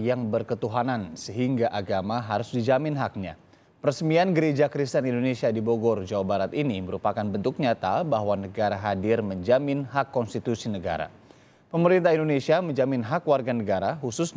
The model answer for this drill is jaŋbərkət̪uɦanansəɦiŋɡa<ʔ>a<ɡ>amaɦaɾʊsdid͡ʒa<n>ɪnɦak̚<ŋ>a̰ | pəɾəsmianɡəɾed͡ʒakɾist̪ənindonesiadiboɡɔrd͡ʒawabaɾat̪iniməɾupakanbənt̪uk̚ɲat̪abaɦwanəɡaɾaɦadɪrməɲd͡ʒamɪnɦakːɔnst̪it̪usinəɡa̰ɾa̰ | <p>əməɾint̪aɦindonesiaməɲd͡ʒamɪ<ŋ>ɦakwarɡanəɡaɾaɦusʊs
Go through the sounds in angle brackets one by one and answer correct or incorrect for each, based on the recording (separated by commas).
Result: correct, correct, incorrect, incorrect, correct, incorrect